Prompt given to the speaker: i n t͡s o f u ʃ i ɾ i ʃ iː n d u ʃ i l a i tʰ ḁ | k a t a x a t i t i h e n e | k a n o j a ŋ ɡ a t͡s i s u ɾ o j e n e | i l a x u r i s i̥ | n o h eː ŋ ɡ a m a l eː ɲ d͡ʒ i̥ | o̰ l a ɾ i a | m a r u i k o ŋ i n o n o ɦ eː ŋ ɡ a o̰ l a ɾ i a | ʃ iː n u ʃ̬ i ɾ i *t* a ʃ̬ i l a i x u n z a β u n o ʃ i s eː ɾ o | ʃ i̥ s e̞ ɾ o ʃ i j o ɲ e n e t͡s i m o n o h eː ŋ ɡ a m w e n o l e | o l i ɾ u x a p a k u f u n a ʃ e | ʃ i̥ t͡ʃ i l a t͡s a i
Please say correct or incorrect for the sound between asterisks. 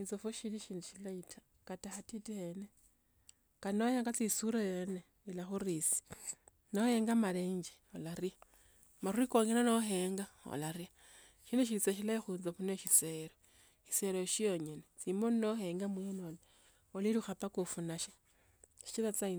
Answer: incorrect